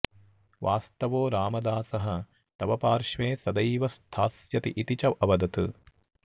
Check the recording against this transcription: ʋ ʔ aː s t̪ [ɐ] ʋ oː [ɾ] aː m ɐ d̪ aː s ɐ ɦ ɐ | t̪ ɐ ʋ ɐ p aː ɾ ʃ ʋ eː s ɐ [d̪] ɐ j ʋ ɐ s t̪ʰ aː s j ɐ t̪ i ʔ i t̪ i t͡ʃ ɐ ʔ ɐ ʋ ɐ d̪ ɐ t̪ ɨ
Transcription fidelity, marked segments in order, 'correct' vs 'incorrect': correct, correct, correct

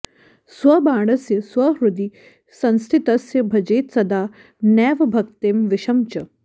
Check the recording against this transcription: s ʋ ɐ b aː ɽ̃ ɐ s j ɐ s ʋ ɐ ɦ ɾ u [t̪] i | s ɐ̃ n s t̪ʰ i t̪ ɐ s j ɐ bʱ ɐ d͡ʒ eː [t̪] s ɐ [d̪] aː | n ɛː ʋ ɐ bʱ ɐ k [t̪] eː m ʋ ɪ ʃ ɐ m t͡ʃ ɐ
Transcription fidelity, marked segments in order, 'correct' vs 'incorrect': incorrect, correct, correct, correct

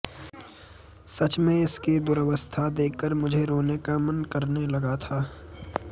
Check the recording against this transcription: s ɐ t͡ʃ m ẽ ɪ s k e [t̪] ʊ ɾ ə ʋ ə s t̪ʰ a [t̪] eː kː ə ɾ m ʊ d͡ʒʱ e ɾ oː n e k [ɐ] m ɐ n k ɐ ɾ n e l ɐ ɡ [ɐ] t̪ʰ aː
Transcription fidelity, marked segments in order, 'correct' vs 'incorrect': incorrect, incorrect, incorrect, incorrect

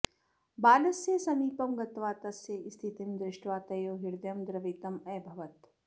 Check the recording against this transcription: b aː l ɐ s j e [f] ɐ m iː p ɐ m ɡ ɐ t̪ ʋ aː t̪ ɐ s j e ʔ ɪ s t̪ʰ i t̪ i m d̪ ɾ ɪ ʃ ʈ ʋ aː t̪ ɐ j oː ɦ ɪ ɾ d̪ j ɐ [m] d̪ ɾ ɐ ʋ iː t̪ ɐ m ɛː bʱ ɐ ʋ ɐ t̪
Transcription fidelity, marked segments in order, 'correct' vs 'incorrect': incorrect, correct

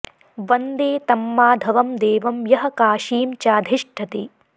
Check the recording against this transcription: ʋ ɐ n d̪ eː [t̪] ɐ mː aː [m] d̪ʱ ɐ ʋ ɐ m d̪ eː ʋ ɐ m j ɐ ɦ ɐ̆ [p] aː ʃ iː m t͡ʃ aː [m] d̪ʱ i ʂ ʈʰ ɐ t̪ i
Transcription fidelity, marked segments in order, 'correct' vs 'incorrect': correct, incorrect, incorrect, incorrect

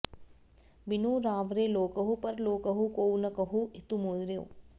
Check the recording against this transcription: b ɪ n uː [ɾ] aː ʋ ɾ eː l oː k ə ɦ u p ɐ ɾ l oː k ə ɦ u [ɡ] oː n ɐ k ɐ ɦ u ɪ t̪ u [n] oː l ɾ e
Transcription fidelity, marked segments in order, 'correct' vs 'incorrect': correct, incorrect, incorrect

